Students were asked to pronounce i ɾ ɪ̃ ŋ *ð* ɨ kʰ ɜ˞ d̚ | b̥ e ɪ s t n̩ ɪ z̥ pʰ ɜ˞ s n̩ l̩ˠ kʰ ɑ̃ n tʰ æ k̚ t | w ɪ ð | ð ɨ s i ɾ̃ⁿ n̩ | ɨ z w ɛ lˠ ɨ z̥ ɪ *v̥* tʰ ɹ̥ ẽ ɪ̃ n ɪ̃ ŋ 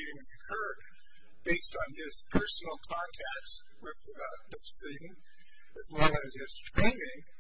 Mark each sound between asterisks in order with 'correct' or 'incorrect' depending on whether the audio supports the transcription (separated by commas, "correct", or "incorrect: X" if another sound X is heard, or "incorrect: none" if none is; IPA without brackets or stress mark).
incorrect: z, incorrect: z̥